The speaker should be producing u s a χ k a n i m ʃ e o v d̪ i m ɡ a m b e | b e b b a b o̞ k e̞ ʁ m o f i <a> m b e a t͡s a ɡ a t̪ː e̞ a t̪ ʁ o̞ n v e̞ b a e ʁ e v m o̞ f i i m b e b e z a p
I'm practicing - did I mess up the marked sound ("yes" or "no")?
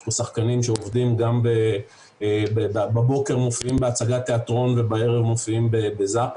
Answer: yes